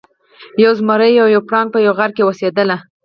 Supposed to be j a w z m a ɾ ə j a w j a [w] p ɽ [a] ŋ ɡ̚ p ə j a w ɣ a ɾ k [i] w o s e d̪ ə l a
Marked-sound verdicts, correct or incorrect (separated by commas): correct, incorrect, incorrect